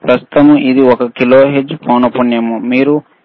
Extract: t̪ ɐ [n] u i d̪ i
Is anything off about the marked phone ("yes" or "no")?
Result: yes